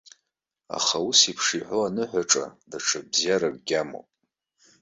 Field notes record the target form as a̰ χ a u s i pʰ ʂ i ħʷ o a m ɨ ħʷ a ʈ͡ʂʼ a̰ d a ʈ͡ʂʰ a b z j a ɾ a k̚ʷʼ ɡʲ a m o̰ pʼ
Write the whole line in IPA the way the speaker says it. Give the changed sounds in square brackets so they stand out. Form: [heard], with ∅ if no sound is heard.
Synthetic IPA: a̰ χ a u s i pʰ ʂ i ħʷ o a [n] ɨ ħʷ a ʈ͡ʂʼ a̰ d a ʈ͡ʂʰ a b z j a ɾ a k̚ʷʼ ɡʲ a m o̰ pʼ